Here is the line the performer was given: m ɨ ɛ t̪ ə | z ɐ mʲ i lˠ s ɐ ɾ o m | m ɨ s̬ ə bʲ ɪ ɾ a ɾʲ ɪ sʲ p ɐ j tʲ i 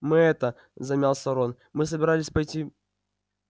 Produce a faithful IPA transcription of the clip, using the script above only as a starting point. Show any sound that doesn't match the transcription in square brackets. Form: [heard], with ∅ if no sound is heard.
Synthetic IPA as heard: m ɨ ɛ t̪ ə | z ɐ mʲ [a] lˠ s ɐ ɾ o [n] | m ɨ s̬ ə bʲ ɪ ɾ a [lʲ] ɪ sʲ p ɐ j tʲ i